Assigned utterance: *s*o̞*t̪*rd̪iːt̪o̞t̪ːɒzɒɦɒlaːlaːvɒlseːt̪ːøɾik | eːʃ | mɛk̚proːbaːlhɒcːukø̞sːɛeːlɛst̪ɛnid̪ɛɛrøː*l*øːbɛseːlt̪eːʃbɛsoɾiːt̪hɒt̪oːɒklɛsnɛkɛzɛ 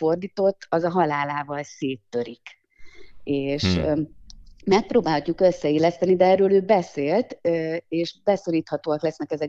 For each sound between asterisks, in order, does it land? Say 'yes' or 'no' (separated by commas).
no, no, yes